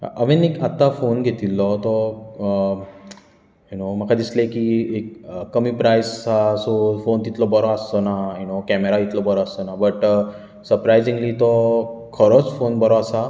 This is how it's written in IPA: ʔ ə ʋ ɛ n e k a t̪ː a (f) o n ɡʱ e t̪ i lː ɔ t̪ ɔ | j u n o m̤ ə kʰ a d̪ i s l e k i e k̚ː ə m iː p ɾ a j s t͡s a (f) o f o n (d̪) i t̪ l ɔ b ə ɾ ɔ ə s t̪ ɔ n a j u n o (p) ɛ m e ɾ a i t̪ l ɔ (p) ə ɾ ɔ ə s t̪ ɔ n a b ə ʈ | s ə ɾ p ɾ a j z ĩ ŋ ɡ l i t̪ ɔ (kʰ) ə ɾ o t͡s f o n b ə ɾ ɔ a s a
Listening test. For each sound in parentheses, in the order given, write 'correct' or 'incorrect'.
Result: correct, incorrect: s, incorrect: t̪, incorrect: k, incorrect: b, correct

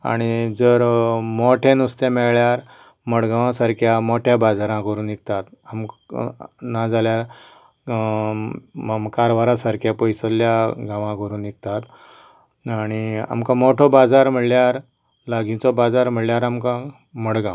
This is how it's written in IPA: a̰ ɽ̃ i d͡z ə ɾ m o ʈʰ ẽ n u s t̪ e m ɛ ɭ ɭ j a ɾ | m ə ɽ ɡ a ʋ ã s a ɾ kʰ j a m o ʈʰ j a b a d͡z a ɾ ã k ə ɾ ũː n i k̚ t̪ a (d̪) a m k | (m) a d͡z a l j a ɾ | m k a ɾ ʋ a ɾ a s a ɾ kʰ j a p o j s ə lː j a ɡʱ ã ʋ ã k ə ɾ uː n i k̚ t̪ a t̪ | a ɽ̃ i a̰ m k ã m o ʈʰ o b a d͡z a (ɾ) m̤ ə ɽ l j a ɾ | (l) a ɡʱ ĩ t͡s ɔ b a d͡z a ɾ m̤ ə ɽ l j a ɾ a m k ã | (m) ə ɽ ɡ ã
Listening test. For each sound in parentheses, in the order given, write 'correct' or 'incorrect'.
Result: incorrect: t̪, incorrect: n, correct, correct, correct

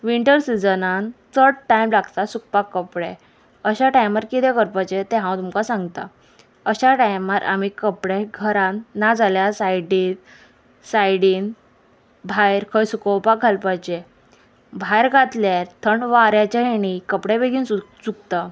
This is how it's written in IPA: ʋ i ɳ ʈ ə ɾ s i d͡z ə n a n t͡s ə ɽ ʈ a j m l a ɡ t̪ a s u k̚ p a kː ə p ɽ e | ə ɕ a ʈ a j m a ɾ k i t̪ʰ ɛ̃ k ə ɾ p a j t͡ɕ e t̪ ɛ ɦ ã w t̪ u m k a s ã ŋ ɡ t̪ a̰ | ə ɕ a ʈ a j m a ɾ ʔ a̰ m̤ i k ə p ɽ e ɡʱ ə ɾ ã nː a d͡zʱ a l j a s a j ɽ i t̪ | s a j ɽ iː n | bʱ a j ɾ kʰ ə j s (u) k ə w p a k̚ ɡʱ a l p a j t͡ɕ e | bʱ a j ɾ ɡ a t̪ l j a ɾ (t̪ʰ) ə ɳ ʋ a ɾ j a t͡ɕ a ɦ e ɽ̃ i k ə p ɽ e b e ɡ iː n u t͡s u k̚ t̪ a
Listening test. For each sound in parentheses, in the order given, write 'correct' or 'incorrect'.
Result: correct, correct

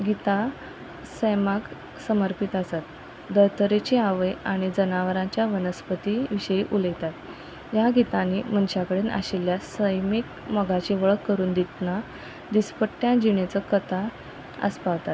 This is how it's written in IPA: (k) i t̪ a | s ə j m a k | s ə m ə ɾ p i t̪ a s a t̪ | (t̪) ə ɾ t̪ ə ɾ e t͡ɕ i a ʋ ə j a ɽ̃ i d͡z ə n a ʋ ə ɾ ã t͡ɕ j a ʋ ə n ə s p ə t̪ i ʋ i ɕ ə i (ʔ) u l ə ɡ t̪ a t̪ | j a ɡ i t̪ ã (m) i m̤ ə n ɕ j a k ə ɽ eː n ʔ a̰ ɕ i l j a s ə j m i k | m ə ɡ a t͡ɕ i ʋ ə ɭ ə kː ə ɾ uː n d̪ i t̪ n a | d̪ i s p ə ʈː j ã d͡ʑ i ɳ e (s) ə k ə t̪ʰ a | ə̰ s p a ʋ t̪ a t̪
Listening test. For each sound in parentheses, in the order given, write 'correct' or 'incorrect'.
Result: incorrect: ɡ, incorrect: d̪, correct, incorrect: n, incorrect: t͡s

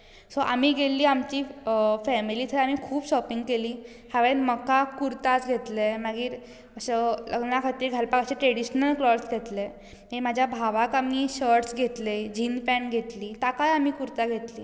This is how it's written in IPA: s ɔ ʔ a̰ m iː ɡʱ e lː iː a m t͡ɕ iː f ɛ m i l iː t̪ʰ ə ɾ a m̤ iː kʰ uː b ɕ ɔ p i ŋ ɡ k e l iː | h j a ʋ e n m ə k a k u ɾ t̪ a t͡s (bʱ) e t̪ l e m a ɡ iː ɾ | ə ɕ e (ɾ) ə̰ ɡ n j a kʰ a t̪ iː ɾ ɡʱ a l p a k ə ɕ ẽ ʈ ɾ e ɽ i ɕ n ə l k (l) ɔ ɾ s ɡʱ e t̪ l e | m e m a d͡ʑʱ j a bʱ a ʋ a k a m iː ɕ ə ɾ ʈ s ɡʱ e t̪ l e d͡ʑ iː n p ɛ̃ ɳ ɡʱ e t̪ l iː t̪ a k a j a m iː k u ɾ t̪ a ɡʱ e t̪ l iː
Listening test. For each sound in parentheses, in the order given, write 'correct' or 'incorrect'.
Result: incorrect: ɡʱ, incorrect: l, correct

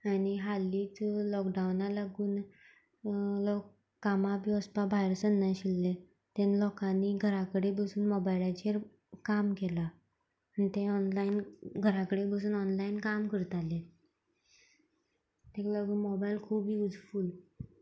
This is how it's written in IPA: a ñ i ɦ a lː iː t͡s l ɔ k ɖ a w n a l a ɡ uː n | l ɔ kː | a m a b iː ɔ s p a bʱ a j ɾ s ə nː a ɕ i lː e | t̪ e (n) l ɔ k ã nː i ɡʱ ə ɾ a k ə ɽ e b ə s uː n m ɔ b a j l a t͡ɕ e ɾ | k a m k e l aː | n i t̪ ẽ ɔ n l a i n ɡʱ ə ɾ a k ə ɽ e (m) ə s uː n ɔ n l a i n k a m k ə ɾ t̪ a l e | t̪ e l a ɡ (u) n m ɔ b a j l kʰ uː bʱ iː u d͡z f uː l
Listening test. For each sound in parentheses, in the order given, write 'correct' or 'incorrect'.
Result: correct, incorrect: b, incorrect: uː

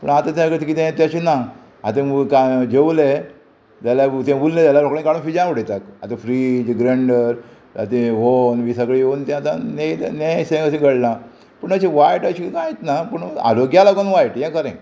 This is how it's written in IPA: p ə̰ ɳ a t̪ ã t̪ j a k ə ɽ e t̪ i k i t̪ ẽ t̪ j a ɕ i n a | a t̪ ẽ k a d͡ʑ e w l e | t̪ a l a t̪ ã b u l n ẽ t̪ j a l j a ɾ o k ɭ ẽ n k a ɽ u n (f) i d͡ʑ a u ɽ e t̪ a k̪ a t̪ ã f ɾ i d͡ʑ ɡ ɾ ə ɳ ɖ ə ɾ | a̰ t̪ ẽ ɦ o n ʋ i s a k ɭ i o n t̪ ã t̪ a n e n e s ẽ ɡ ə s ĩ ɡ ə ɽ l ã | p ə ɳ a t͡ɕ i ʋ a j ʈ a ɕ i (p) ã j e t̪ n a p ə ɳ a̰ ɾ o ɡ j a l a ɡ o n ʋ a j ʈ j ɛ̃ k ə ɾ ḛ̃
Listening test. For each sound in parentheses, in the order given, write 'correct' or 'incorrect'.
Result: correct, incorrect: k

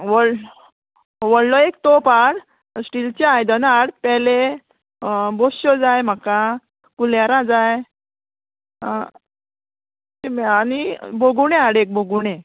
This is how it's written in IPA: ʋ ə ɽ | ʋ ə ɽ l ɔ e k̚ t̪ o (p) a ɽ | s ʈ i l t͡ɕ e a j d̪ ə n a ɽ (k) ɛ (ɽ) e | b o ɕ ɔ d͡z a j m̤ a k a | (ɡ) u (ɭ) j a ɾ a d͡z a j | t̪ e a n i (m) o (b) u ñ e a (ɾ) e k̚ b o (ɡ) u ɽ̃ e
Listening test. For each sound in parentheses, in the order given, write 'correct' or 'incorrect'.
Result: correct, incorrect: p, incorrect: l, incorrect: k, incorrect: l, incorrect: b, incorrect: ɡ, incorrect: ɽ, correct

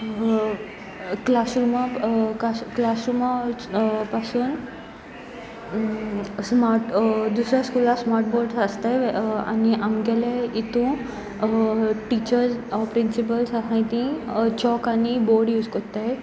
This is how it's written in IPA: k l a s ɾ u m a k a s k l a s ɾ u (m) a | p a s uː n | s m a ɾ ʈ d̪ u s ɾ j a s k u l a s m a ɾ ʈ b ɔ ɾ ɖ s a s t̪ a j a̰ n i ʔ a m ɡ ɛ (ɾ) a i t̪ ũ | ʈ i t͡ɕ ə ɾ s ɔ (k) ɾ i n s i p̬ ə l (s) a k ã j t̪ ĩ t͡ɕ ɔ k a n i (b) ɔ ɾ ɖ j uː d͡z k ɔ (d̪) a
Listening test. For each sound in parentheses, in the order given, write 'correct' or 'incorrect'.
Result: correct, incorrect: l, incorrect: p, correct, correct, incorrect: t̪

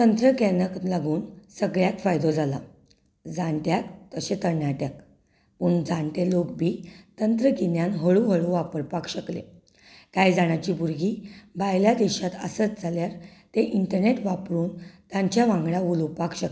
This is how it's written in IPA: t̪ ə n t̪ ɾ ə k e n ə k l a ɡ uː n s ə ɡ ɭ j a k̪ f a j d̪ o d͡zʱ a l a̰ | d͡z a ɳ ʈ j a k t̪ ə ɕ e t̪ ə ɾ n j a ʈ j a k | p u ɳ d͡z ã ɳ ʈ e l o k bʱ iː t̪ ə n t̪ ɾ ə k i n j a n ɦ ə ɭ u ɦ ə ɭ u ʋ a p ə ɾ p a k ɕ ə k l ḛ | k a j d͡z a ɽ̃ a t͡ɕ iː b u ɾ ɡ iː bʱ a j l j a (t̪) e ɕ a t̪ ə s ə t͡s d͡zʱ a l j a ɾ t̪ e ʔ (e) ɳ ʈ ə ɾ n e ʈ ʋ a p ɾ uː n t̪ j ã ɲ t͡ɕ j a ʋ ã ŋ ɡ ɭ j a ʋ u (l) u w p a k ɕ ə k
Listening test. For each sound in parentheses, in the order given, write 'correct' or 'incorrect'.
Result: incorrect: d̪, incorrect: i, correct

